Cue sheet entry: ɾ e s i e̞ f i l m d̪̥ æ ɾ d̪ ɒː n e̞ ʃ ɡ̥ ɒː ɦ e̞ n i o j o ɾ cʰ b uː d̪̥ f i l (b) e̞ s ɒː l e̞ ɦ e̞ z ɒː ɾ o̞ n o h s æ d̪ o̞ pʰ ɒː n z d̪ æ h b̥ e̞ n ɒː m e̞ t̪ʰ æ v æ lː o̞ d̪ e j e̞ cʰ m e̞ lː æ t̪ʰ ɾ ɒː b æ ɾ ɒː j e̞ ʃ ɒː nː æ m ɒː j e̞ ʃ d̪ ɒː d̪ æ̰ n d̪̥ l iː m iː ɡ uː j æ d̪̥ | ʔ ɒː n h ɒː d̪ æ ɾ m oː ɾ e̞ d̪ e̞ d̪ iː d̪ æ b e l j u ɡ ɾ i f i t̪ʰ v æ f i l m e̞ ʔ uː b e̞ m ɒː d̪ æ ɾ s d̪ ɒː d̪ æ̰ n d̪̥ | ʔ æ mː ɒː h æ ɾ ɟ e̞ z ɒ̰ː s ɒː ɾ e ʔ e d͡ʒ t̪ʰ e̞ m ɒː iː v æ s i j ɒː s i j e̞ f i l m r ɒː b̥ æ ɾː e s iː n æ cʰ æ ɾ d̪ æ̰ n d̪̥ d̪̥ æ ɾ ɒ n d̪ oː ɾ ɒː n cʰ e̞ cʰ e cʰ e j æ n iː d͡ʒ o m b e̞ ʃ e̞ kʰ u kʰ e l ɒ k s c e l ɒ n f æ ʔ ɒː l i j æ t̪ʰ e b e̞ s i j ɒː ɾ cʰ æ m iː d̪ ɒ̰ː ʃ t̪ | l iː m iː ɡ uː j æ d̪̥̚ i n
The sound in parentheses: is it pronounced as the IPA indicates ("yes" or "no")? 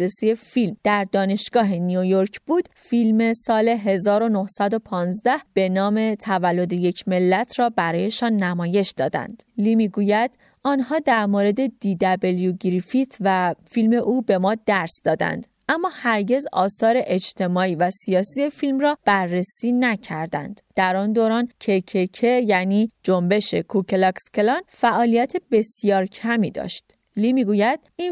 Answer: no